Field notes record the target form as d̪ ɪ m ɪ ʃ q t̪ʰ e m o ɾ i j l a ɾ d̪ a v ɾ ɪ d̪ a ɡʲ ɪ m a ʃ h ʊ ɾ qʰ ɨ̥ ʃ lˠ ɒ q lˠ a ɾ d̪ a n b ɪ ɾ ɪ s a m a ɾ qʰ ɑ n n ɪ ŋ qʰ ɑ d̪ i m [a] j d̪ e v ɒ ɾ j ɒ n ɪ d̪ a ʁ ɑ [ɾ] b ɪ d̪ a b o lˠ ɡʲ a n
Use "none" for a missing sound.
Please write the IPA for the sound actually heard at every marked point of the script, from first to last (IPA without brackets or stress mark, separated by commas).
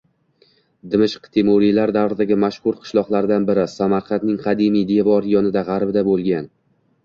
i, ɾ